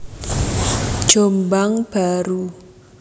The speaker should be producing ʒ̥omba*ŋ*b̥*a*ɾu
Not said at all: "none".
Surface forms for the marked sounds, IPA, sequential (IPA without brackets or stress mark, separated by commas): ŋ, a